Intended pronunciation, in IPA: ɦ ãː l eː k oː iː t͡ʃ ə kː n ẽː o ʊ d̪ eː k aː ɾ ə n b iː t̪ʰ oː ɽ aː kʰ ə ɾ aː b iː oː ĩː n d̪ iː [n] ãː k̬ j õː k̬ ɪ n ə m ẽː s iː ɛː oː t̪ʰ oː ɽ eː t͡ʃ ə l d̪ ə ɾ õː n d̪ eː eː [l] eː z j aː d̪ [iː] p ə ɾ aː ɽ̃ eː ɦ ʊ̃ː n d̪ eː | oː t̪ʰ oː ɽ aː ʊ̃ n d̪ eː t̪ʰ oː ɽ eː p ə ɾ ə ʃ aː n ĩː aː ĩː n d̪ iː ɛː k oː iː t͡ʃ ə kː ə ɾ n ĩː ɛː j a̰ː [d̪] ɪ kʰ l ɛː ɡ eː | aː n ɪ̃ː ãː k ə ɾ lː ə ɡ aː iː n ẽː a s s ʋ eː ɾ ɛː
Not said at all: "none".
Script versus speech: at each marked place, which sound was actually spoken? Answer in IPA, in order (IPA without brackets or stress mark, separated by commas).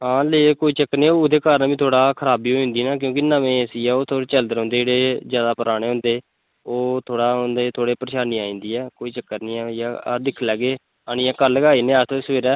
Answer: n, ɽ, aː, d̪